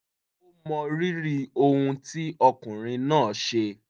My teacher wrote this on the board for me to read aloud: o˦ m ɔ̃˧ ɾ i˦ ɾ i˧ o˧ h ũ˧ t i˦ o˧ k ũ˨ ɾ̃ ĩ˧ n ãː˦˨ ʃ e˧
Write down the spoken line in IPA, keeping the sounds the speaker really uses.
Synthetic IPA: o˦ m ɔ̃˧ ɾ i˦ ɾ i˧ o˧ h ũ˧ t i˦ ɔ˧ k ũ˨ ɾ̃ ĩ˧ n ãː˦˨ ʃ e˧